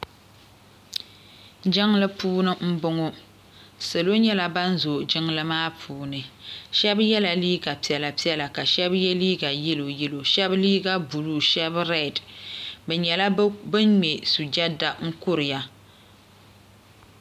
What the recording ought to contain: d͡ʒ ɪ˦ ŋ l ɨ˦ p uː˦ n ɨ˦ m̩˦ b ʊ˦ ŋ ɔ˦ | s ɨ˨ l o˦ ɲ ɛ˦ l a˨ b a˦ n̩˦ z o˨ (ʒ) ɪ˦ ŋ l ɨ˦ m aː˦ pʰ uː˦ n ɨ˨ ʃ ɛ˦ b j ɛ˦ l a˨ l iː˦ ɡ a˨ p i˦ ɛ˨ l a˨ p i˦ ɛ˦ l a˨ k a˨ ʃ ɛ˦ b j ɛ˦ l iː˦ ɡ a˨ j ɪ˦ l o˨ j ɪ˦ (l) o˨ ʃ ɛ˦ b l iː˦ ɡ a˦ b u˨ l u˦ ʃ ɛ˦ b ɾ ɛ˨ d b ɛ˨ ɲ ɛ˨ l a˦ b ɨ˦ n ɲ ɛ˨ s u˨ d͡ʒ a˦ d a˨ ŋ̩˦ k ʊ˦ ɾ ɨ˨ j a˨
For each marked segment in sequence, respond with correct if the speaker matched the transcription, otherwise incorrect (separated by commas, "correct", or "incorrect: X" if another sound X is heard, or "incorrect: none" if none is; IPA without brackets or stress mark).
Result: incorrect: d͡ʒ, correct